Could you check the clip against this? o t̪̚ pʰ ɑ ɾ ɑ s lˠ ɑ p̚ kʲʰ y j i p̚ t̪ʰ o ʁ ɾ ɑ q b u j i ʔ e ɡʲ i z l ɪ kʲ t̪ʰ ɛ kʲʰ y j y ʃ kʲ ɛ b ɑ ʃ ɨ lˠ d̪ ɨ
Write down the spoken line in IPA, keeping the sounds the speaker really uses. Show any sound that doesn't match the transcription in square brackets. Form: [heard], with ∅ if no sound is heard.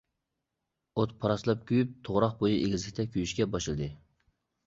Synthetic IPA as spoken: o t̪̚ pʰ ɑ ɾ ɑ s lˠ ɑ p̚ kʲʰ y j [y] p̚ t̪ʰ o ʁ ɾ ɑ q b [o] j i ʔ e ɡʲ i z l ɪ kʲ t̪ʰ ɛ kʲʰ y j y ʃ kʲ ɛ b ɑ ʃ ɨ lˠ d̪ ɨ